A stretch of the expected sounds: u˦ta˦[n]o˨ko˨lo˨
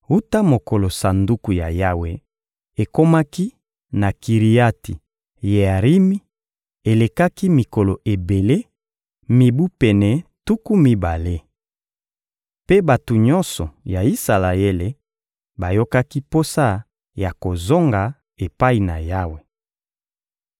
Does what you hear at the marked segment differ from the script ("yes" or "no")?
yes